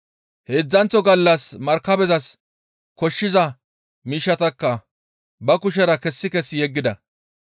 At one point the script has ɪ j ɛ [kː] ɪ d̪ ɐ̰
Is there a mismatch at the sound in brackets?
yes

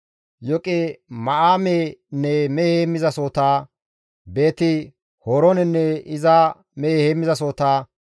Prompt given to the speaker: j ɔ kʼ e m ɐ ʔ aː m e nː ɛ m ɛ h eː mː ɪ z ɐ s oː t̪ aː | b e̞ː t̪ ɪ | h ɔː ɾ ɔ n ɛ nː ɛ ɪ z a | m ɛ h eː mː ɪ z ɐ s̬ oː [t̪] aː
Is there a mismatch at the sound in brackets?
no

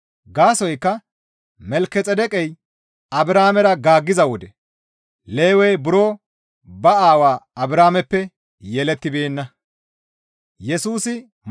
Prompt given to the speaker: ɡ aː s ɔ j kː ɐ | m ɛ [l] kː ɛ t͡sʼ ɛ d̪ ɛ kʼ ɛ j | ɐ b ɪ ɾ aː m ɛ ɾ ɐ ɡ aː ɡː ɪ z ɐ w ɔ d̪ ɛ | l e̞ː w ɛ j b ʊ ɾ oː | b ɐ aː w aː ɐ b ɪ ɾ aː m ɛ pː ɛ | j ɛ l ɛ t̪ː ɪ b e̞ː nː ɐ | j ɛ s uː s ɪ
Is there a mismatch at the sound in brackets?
no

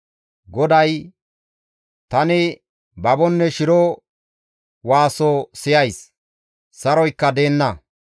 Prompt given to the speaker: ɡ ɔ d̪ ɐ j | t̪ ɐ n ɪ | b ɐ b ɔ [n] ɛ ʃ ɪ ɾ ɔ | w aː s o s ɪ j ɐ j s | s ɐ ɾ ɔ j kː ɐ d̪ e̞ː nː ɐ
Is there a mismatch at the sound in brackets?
yes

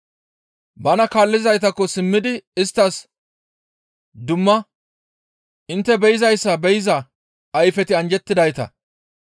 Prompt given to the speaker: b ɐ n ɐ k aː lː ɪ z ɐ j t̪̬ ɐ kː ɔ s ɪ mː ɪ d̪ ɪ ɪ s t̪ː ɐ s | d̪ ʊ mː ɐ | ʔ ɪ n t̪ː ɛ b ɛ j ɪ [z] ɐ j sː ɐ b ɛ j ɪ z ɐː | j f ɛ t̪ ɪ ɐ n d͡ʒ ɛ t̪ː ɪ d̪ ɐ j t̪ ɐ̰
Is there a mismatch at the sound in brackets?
no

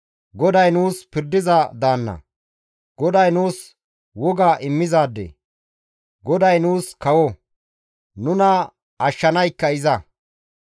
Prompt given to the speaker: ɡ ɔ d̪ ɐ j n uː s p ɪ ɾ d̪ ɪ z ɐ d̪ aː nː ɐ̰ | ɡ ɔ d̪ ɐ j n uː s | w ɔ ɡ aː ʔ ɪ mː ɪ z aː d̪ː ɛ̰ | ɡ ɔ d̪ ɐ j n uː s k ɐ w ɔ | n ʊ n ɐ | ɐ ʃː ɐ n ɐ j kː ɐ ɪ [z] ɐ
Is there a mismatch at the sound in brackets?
no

